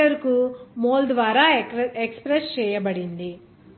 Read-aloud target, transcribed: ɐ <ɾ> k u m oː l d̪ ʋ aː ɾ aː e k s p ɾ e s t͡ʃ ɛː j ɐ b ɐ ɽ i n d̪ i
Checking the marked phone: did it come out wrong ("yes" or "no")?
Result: no